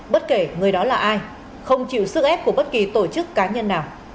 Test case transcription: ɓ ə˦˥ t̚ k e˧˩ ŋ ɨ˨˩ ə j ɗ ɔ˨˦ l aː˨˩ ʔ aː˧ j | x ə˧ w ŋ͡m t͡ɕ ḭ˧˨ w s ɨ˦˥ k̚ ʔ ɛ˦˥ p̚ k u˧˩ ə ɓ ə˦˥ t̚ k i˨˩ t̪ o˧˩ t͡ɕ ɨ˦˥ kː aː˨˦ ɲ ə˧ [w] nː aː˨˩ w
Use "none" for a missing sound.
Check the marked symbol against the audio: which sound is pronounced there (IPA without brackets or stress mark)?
none